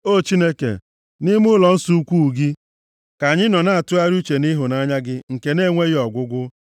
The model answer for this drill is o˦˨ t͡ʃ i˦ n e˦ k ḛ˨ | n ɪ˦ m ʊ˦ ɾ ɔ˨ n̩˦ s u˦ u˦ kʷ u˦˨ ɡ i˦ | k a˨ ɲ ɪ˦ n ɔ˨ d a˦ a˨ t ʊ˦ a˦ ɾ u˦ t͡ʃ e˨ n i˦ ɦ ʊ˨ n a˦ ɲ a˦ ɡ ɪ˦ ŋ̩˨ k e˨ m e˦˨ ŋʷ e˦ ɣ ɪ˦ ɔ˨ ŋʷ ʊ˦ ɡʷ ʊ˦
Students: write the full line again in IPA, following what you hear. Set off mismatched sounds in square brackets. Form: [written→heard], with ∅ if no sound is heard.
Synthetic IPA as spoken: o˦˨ t͡ʃ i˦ n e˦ k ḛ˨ | n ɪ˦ m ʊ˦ [ɾ→l] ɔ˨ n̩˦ s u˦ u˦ kʷ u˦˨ ɡ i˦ | k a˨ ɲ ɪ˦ n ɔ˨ [d→n] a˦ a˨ t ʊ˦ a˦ ɾ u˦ t͡ʃ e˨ n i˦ ɦ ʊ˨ n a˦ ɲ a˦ ɡ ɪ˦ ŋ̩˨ k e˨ [m→n] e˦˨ ŋʷ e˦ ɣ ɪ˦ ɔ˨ [ŋʷ→ɡʷ] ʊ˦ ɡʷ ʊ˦